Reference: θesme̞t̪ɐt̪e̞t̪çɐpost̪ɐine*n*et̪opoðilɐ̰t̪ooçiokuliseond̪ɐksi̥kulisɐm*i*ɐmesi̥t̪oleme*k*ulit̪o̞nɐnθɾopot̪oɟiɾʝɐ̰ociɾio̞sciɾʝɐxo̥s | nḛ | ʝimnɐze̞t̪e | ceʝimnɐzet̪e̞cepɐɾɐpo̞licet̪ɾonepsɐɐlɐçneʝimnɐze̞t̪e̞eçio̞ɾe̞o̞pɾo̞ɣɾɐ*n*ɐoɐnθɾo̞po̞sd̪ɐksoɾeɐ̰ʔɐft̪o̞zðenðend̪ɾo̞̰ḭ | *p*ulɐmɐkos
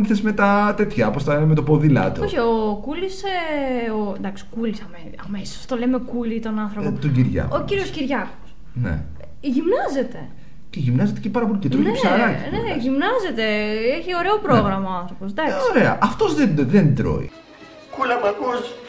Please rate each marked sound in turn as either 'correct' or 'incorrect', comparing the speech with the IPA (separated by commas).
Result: incorrect, incorrect, correct, incorrect, incorrect